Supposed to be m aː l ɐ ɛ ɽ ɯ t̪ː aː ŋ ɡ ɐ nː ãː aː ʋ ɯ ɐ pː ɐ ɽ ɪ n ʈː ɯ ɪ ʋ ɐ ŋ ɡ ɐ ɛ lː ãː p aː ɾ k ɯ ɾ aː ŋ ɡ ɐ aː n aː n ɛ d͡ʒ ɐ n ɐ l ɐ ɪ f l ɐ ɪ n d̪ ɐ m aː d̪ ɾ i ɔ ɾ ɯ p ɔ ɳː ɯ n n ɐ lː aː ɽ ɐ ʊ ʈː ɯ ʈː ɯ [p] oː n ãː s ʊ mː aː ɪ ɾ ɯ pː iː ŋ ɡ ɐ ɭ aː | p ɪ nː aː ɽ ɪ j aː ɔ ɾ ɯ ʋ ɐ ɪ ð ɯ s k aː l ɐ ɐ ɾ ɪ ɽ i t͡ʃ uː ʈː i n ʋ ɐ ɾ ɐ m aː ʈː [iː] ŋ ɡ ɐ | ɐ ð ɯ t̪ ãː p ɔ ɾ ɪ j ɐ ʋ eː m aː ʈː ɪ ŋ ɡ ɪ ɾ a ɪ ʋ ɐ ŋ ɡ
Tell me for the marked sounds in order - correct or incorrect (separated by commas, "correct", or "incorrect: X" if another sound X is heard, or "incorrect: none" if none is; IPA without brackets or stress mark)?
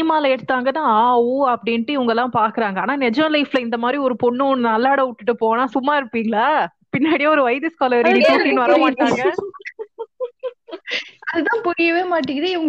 correct, incorrect: aː